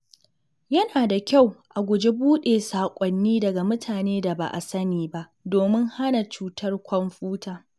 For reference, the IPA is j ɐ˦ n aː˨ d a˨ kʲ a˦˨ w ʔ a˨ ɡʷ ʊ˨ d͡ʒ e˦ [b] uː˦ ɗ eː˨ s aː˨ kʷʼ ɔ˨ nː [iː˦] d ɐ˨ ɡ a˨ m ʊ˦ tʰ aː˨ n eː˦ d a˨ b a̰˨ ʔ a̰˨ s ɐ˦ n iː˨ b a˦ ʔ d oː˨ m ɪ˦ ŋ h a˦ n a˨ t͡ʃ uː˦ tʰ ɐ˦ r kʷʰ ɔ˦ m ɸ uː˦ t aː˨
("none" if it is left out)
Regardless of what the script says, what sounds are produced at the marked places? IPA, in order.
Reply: b, iː˦

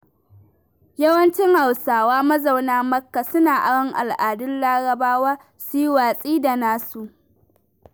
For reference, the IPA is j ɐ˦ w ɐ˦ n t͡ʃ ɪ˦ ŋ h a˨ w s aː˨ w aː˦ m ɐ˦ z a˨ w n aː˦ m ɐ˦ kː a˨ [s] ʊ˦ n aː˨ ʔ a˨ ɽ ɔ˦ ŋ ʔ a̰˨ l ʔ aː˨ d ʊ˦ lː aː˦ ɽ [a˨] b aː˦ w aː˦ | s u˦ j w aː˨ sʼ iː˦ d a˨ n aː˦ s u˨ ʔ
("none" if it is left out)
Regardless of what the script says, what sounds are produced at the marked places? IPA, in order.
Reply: s, ɐ˨

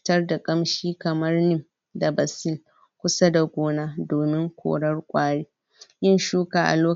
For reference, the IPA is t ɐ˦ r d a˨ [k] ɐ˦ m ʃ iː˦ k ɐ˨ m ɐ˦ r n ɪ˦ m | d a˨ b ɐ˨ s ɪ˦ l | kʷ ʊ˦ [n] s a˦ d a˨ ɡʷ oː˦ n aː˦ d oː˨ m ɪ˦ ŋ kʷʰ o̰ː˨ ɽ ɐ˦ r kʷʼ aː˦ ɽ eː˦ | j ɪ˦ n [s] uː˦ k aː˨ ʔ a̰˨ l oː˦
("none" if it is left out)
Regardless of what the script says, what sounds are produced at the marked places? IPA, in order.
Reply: kʼ, none, ʃ

